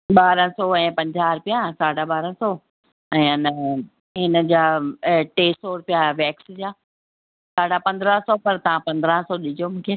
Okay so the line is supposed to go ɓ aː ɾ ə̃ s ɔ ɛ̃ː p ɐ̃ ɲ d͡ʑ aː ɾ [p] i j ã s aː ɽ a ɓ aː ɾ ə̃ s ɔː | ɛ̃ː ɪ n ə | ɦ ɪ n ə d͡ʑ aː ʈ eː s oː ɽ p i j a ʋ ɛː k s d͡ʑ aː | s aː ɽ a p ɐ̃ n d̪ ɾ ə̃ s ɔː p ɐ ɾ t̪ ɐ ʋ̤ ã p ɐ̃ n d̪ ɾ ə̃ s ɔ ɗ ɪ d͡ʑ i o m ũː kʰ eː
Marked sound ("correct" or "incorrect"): correct